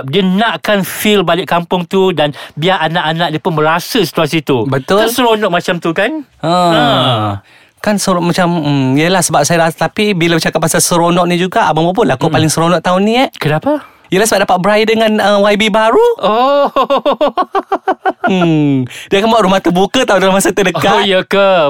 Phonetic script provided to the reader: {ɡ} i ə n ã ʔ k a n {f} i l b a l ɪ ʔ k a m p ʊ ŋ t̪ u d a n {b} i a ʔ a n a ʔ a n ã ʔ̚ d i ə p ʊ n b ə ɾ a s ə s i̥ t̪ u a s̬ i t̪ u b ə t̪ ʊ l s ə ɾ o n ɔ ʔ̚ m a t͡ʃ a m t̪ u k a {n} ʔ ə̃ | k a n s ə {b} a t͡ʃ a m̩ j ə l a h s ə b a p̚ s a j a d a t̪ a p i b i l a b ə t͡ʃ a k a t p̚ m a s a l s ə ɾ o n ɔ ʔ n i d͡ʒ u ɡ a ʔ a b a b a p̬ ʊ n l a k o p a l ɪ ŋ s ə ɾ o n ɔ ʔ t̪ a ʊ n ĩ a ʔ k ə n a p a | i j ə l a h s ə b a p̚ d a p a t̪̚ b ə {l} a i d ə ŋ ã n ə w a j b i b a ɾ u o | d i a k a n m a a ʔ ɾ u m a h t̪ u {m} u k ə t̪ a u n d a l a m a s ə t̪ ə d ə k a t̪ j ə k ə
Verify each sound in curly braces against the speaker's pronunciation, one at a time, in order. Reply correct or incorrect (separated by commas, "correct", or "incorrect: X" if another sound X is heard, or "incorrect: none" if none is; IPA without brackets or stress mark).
incorrect: d, correct, correct, correct, incorrect: m, incorrect: ɾ, incorrect: b